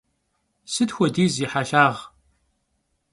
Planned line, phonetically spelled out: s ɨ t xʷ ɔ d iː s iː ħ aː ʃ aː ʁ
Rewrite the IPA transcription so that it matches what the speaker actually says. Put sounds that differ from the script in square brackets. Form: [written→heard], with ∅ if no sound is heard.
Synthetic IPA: s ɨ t xʷ ɔ d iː [s→z] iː ħ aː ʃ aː ʁ